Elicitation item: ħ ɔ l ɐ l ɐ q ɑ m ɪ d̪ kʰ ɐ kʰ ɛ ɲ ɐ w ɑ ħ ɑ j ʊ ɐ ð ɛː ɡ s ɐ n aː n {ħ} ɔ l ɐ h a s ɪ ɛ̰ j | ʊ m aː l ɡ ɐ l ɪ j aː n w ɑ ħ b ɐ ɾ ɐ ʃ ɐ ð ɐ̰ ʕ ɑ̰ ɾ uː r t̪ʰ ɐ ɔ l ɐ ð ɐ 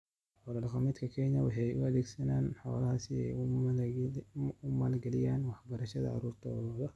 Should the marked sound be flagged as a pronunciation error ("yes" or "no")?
no